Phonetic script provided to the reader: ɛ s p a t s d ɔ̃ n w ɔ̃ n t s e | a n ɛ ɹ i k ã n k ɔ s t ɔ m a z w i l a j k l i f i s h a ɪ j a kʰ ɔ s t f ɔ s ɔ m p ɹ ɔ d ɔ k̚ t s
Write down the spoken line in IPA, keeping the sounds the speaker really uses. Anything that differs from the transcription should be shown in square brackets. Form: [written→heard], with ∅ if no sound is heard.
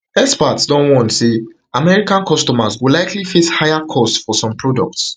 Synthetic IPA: ɛ s p a t s d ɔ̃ n w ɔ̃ n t s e | a [n→m] ɛ ɹ i k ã n k ɔ s t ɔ m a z w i l a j k l i f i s h a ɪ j a kʰ ɔ s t f ɔ s [ɔ→ɔ̃] m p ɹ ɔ d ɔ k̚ t s